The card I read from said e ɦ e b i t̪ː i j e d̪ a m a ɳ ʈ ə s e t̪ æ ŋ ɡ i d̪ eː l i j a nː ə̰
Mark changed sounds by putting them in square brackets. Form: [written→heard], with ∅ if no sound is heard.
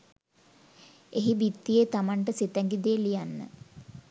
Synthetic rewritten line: e ɦ [e→i] b i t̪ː i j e [d̪→t̪] a m a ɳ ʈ ə s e t̪ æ ŋ ɡ i d̪ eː l i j a nː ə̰